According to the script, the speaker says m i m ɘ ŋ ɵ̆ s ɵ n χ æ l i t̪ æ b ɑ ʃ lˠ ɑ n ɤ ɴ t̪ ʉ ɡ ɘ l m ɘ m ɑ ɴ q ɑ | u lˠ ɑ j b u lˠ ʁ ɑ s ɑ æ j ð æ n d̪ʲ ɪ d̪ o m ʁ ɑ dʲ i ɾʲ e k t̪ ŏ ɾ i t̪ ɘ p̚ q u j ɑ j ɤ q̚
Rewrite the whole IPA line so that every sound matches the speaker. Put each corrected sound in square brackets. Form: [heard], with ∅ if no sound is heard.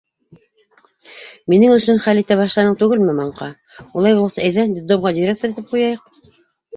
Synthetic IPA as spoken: m i [n] ɘ ŋ ɵ̆ s ɵ n χ æ l i t̪ æ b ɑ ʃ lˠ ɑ n ɤ ɴ t̪ ʉ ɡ ɘ l m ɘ m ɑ ɴ q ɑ | u lˠ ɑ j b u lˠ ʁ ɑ s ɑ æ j ð æ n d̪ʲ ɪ d̪ o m ʁ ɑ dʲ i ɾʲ e k t̪ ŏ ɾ i t̪ ɘ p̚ q u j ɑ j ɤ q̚

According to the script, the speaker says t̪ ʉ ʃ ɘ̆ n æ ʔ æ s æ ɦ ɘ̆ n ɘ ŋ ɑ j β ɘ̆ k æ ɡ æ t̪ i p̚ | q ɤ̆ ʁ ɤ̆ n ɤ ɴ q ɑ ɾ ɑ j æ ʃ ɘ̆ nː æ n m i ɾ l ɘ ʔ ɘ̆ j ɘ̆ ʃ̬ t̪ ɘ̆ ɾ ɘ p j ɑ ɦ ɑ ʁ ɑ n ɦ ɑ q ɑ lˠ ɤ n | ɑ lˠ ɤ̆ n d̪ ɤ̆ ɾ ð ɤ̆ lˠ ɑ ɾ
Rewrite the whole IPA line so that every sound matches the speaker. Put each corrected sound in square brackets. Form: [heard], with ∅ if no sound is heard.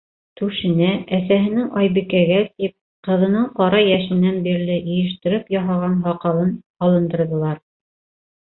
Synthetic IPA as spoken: t̪ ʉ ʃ ɘ̆ n æ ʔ æ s æ ɦ ɘ̆ n ɘ ŋ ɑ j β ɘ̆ k æ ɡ æ t̪ i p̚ | q ɤ̆ [ð] ɤ̆ n ɤ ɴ q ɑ ɾ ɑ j æ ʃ ɘ̆ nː æ n [b] i ɾ l ɘ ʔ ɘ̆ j ɘ̆ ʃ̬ t̪ ɘ̆ ɾ ɘ p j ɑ ɦ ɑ ʁ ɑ n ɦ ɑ q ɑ lˠ ɤ n | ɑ lˠ ɤ̆ n d̪ ɤ̆ ɾ ð ɤ̆ lˠ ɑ ɾ

